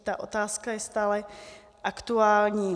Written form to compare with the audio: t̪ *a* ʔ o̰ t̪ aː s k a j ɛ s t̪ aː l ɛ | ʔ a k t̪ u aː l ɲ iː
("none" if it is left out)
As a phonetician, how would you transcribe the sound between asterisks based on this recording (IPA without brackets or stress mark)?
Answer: a